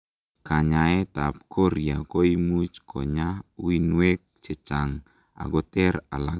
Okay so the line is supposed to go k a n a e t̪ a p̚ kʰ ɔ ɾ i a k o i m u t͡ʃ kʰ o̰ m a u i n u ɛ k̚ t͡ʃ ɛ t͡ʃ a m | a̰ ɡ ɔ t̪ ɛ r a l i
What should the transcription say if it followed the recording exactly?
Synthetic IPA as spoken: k a ɲ a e t̪ a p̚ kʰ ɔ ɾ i a k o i m u t͡ʃ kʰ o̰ ɲ a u i n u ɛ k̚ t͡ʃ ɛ t͡ʃ a ŋ | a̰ ɡ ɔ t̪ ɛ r a l a